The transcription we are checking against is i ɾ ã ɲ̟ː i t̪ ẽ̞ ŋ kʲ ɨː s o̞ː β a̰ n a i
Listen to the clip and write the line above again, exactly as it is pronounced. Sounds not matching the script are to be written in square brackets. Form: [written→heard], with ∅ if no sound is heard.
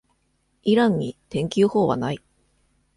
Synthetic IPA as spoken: i ɾ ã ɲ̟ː i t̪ ẽ̞ ŋ kʲ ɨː [s→h] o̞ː β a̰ n a i